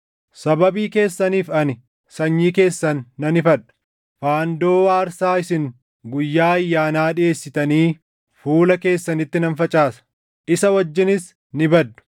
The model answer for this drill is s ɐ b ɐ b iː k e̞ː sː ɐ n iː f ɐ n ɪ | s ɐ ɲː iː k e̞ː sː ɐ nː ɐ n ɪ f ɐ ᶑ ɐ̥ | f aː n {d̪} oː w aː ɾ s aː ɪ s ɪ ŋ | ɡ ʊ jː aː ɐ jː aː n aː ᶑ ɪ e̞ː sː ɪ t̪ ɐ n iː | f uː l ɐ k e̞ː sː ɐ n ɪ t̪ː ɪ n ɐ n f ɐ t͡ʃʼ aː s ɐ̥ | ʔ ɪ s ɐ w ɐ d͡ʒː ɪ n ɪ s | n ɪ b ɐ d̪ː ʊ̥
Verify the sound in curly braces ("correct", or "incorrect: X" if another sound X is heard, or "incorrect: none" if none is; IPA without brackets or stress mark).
correct